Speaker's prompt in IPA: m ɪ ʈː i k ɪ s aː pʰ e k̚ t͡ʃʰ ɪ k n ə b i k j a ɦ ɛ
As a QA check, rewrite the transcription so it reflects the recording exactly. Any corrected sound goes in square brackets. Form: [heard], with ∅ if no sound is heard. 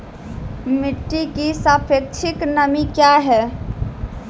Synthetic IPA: m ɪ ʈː i k [i] s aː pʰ e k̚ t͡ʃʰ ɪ k n ə [m] i k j a ɦ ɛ